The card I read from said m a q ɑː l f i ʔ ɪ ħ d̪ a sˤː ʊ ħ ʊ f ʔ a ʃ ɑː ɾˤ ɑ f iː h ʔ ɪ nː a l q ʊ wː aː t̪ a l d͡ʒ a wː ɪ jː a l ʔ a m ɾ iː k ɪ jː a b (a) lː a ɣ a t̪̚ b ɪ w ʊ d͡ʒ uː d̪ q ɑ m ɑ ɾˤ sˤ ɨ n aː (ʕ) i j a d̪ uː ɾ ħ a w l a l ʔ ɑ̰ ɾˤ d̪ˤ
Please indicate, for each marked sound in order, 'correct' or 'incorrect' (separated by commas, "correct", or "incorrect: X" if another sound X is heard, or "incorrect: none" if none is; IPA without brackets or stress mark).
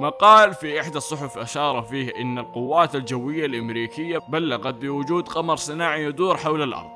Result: correct, correct